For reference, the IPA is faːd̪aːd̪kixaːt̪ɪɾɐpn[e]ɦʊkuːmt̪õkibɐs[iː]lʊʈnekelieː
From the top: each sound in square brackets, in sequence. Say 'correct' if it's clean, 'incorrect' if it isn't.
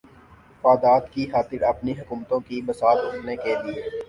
incorrect: i, incorrect: aː

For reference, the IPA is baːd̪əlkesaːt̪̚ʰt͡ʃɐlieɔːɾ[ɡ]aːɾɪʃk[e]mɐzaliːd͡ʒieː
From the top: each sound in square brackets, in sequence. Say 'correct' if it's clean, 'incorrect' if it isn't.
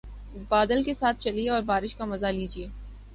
incorrect: b, incorrect: a

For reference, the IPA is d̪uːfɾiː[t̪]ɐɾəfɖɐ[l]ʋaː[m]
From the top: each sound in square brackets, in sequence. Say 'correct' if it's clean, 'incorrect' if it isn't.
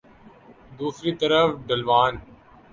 correct, correct, incorrect: n

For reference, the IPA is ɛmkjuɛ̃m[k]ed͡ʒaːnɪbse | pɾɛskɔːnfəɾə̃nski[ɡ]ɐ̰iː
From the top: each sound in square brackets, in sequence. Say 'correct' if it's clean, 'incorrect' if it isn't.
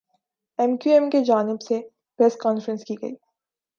correct, correct

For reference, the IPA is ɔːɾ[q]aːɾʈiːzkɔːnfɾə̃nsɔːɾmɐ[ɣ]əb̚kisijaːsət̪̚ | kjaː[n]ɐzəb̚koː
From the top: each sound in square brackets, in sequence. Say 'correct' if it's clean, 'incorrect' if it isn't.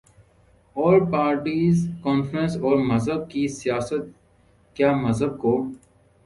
incorrect: p, incorrect: z, incorrect: m

